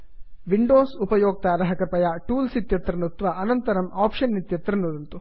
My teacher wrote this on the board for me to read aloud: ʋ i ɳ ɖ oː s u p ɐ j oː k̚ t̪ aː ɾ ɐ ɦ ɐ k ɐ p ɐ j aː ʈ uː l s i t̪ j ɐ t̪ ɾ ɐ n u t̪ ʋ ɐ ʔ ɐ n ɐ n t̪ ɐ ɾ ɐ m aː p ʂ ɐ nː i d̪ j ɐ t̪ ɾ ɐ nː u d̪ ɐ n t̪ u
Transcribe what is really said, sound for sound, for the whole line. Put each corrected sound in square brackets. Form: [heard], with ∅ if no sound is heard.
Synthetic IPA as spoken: ʋ i ɳ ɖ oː s u p ɐ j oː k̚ t̪ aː ɾ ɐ ɦ ɐ k ɐ p ɐ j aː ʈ uː l s i t̪ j ɐ t̪ ɾ ɐ n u t̪ ʋ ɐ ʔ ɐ n ɐ n t̪ ɐ ɾ ɐ m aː p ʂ ɐ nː i [t̪] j ɐ t̪ ɾ ɐ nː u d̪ ɐ n t̪ u